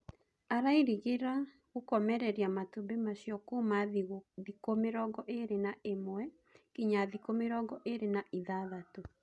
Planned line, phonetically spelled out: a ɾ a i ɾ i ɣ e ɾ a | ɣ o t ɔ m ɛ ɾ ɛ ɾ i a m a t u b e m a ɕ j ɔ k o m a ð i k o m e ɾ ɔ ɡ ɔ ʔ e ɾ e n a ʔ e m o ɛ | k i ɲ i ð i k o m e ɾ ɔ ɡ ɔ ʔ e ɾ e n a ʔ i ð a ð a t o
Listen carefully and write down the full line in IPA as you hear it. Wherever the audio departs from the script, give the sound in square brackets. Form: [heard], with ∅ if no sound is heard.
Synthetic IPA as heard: a ɾ a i ɾ i ɣ e ɾ a | ɣ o [k] ɔ m ɛ ɾ ɛ ɾ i a m a t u b e m a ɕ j ɔ k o m a ð i k o m e ɾ ɔ ɡ ɔ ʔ e ɾ e n a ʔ e m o ɛ | k i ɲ [a] ð i k o m e ɾ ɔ ɡ ɔ ʔ e ɾ e n a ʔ i ð a ð a t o